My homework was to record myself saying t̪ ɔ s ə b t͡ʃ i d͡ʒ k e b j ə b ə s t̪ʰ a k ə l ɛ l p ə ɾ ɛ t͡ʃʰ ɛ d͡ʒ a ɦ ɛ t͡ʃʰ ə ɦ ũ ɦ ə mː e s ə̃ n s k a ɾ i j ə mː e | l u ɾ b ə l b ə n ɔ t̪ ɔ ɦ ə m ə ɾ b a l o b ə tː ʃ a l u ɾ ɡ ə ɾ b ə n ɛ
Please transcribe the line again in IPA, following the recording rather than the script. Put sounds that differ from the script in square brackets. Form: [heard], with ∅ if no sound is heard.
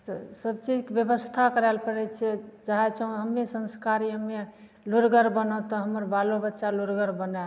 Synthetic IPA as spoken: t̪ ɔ s ə b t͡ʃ i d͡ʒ k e b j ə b ə s t̪ʰ a k ə [ɾ] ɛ l p ə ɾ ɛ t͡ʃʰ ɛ d͡ʒ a ɦ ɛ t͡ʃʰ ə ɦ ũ ɦ ə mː e s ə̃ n s k a ɾ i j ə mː e | l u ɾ [ɡ] ə [ɾ] b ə n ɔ t̪ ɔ ɦ ə m ə ɾ b a l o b ə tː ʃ a l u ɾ ɡ ə ɾ b ə n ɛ